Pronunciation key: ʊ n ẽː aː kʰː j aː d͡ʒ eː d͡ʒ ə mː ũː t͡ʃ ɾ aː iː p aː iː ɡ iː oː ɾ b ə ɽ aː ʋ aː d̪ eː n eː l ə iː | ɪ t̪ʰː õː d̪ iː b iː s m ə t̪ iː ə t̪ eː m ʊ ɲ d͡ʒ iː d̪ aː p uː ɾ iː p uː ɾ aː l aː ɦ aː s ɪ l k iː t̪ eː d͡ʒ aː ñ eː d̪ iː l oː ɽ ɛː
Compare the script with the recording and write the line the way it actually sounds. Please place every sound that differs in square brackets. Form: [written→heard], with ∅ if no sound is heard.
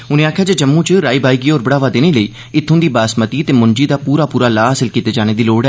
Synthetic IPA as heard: ʊ n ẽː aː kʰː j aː d͡ʒ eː d͡ʒ ə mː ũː t͡ʃ ɾ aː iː [p→b] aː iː ɡ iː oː ɾ b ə ɽ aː ʋ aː d̪ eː n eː l ə iː | ɪ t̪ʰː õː d̪ iː b [iː→aː] s m ə t̪ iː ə t̪ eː m ʊ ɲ d͡ʒ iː d̪ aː p uː ɾ [iː→aː] p uː ɾ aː l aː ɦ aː s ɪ l k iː t̪ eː d͡ʒ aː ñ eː d̪ iː l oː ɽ ɛː